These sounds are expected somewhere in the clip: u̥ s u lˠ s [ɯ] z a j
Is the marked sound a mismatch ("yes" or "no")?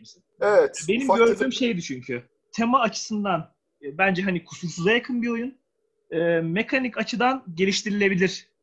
yes